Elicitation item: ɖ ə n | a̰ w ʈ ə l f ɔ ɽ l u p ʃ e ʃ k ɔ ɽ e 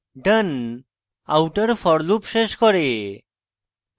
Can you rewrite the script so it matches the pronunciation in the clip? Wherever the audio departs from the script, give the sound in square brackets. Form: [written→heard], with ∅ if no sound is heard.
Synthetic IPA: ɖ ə n | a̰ w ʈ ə [l→ɾ] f ɔ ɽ l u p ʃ e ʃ k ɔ [ɽ→ɾ] e